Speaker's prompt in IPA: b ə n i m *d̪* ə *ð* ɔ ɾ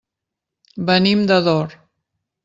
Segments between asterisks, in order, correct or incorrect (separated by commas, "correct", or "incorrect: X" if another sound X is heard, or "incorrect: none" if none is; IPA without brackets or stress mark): correct, correct